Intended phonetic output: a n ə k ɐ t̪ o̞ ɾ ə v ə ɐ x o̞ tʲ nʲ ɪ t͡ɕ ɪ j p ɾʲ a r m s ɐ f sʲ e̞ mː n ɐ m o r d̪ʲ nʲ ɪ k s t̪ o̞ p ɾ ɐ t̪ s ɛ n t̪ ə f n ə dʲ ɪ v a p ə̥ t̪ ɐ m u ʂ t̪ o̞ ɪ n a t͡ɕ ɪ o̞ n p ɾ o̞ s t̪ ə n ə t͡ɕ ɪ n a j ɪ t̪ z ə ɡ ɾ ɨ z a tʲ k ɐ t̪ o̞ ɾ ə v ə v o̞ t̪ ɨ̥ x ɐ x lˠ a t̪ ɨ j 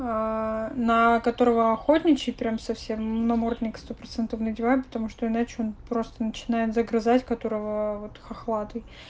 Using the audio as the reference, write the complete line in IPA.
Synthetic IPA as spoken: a n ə k ɐ t̪ o̞ ɾ ə v ə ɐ x o̞ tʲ nʲ ɪ t͡ɕ ɪ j p ɾʲ a m s ɐ f sʲ e̞ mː n ɐ m o r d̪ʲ nʲ ɪ k s t̪ o̞ p ɾ ɐ t̪ s ɛ n t̪ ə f n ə dʲ ɪ v a p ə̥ t̪ ɐ m u ʂ t̪ o̞ ɪ n a t͡ɕ ɪ o̞ n p ɾ o̞ s t̪ ə n ə t͡ɕ ɪ n a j ɪ t̪ z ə ɡ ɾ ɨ z a tʲ k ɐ t̪ o̞ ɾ ə v ə v o̞ t̪ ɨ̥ x ɐ x lˠ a t̪ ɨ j